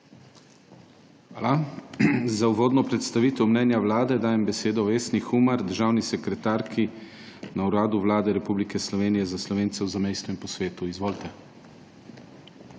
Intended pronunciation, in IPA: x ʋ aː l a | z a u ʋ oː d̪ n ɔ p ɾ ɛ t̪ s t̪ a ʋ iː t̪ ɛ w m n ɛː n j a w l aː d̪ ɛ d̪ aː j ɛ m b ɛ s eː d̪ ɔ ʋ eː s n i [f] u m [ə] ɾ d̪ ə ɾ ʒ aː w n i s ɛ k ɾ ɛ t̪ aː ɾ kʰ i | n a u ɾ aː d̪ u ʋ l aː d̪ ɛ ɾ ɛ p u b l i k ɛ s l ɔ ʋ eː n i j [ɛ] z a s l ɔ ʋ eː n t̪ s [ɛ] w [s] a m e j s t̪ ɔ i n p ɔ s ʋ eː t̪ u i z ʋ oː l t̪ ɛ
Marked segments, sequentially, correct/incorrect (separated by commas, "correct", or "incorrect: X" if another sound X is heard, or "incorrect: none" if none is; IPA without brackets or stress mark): incorrect: x, incorrect: a, correct, correct, incorrect: z